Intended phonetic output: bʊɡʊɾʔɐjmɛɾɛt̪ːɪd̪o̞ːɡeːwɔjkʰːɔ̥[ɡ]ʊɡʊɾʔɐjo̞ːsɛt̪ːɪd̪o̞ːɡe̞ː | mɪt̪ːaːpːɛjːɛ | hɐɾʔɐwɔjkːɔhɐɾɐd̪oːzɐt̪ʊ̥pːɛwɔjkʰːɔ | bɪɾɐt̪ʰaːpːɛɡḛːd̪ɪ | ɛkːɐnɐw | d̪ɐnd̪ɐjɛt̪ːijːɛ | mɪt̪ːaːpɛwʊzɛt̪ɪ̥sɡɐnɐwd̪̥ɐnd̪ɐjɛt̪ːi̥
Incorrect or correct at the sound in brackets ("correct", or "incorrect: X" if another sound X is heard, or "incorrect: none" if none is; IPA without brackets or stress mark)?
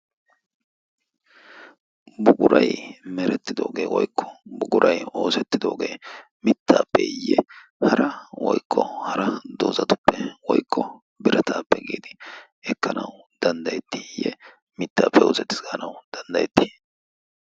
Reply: incorrect: b